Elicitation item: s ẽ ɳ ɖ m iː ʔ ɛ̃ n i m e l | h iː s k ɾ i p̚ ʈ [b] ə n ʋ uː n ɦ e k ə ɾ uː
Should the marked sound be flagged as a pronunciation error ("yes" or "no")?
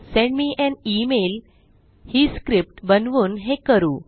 no